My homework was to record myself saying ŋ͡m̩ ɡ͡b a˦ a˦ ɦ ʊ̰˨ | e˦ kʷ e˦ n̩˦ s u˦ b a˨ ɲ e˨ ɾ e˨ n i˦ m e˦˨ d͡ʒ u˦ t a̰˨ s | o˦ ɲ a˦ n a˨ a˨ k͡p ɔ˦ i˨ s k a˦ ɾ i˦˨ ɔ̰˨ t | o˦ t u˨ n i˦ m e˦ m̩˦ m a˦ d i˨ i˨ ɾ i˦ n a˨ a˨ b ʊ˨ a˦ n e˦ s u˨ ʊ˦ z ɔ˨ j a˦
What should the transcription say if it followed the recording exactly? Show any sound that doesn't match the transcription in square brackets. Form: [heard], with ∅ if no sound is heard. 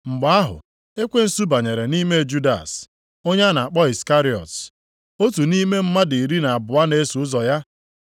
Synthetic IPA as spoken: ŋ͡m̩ ɡ͡b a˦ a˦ ɦ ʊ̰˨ | e˦ kʷ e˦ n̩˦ s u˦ b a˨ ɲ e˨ ɾ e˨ n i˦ m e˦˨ d͡ʒ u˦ [d] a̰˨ s | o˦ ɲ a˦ n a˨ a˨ k͡p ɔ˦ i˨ s k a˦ ɾ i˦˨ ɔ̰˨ t | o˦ t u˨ n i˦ m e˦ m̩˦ m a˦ d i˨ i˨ ɾ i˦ n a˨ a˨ b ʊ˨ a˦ n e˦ s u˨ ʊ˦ z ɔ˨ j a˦